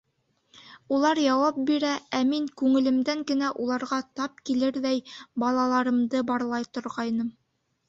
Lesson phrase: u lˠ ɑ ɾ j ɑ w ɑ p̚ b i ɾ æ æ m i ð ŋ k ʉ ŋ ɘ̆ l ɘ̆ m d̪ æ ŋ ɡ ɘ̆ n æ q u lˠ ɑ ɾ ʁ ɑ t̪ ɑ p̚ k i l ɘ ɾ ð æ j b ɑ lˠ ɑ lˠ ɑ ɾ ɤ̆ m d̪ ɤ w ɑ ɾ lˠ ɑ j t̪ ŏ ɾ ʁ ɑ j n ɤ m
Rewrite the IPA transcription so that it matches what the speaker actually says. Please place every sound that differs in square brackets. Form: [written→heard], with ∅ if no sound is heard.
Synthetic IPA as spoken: u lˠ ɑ ɾ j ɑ w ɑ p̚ b i ɾ æ æ m i [ð→∅] ŋ k ʉ ŋ ɘ̆ l ɘ̆ m d̪ æ ŋ ɡ ɘ̆ n æ [q→ʔ] u lˠ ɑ ɾ ʁ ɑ t̪ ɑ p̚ k i l ɘ ɾ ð æ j b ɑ lˠ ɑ lˠ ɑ ɾ ɤ̆ m d̪ ɤ [w→b] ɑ ɾ lˠ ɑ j t̪ ŏ ɾ ʁ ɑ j n ɤ m

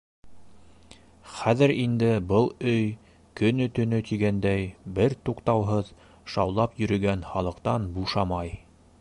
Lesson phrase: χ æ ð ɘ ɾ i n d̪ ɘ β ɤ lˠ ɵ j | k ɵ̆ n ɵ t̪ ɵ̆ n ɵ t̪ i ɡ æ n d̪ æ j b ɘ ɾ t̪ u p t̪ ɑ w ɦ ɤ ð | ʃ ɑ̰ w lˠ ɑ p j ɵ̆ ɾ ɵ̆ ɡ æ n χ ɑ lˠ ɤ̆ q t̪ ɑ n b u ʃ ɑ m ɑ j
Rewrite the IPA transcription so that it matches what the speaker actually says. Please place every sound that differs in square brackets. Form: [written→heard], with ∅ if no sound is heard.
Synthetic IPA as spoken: χ æ ð ɘ ɾ i n d̪ ɘ [β→b] ɤ lˠ ɵ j | k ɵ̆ n ɵ t̪ ɵ̆ n ɵ t̪ i ɡ æ n d̪ æ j b ɘ ɾ t̪ u [p→q] t̪ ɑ w ɦ ɤ ð | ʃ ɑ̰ w lˠ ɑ p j ɵ̆ ɾ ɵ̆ ɡ æ n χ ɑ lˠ ɤ̆ q t̪ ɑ n b u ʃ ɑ m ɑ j

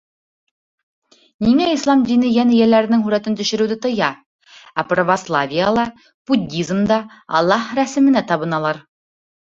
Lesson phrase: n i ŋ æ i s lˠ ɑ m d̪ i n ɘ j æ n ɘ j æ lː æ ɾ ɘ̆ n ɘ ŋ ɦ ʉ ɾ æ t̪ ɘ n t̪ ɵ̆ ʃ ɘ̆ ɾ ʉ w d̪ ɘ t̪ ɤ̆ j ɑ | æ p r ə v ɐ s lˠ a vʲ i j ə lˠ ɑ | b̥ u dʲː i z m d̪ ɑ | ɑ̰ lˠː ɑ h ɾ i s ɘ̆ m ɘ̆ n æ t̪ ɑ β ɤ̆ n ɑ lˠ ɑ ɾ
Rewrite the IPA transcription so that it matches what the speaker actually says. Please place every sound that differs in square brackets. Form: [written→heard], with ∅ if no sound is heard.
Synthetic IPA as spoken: n i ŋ æ i s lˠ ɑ m d̪ i n ɘ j æ n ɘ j æ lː æ ɾ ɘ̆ n ɘ ŋ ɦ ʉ ɾ æ t̪ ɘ n t̪ ɵ̆ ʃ ɘ̆ ɾ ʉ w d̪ ɘ t̪ ɤ̆ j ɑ | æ p r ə v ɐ s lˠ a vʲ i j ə lˠ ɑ | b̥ u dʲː i z m d̪ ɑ | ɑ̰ lˠː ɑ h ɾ [i→æ] s ɘ̆ m ɘ̆ n æ t̪ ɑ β ɤ̆ n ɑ lˠ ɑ ɾ

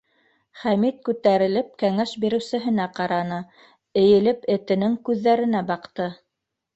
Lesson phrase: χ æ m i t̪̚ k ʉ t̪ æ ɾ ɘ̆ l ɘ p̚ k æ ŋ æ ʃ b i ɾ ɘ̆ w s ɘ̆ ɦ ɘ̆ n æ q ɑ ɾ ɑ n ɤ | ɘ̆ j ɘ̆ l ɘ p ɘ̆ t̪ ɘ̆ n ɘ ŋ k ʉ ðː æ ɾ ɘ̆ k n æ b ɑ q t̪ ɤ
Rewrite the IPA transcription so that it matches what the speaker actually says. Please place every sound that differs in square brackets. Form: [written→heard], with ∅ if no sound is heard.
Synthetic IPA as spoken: χ æ m i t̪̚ k ʉ t̪ æ ɾ ɘ̆ l ɘ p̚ k æ ŋ æ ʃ b i ɾ ɘ̆ w s ɘ̆ ɦ ɘ̆ n æ q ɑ ɾ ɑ n ɤ | ɘ̆ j ɘ̆ l ɘ p ɘ̆ t̪ ɘ̆ n ɘ ŋ k ʉ ðː æ ɾ ɘ̆ [k→∅] n æ b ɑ q t̪ ɤ

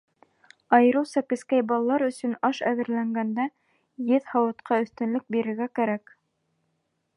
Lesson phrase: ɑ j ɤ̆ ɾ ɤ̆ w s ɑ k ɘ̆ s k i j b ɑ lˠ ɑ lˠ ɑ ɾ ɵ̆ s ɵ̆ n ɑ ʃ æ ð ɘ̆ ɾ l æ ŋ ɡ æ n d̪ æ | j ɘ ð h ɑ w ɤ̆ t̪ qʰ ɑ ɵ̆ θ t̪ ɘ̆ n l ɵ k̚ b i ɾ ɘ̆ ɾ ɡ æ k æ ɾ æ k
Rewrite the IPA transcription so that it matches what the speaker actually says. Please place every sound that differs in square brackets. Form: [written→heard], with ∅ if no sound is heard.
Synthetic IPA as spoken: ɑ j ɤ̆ ɾ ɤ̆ w s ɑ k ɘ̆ s k [i→æ] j b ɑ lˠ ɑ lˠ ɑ ɾ ɵ̆ s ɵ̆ n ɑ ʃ æ ð ɘ̆ ɾ l æ ŋ ɡ æ n d̪ æ | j ɘ ð h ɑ w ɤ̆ t̪ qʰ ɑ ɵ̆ θ t̪ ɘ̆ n l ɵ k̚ b i ɾ ɘ̆ ɾ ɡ æ k æ ɾ æ k

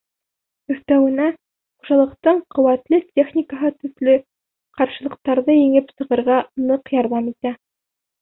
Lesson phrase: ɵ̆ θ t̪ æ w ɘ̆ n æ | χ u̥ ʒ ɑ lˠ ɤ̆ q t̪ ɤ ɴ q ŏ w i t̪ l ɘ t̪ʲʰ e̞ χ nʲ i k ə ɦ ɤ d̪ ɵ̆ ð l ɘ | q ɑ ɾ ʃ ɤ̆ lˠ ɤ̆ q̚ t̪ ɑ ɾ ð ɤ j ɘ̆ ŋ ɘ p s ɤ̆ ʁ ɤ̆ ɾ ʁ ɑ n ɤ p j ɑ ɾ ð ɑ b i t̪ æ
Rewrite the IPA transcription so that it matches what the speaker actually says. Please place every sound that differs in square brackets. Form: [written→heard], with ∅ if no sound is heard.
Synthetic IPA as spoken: ɵ̆ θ t̪ æ w ɘ̆ n æ | χ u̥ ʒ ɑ lˠ ɤ̆ q t̪ ɤ ɴ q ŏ w [i→æ] t̪ l ɘ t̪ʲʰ e̞ χ nʲ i k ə ɦ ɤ [d̪→t̪] ɵ̆ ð l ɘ | q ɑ ɾ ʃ ɤ̆ lˠ ɤ̆ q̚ t̪ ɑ ɾ ð ɤ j ɘ̆ ŋ ɘ p s ɤ̆ ʁ ɤ̆ ɾ ʁ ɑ n ɤ [p→q] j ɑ ɾ ð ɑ [b→m] i t̪ æ

